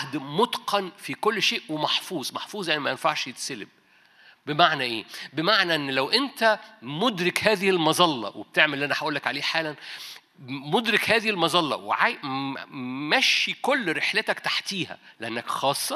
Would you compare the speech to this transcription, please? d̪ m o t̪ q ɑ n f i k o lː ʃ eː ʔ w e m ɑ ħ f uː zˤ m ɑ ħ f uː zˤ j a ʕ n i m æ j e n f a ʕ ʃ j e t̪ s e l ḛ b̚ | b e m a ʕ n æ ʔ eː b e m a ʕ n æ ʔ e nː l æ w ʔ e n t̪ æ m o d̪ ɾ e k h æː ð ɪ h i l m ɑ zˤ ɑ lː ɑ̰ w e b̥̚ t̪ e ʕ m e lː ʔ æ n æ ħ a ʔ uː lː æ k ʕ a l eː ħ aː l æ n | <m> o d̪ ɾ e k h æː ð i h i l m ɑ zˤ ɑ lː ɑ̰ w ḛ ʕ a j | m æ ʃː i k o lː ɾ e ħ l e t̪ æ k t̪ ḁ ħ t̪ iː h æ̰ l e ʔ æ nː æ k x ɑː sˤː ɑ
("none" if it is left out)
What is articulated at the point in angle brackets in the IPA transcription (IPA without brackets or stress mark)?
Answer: m